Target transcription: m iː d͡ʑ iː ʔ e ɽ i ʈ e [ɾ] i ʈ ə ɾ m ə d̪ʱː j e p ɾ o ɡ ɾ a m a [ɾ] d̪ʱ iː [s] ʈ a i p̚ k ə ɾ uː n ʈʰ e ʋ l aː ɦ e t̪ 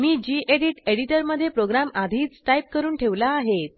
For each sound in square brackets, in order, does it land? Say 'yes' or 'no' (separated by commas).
no, no, no